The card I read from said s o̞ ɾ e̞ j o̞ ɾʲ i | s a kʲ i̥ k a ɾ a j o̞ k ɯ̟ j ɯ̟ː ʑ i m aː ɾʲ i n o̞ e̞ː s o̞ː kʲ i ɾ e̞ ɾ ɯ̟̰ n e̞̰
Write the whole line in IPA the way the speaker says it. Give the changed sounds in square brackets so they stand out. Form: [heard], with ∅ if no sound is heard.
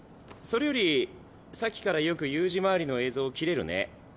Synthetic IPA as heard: s o̞ ɾ e̞ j o̞ ɾʲ i | s a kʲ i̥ k a ɾ a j o̞ k ɯ̟ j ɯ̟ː ʑ i m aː ɾʲ i n o̞ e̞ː [z] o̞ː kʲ i ɾ e̞ ɾ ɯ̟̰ n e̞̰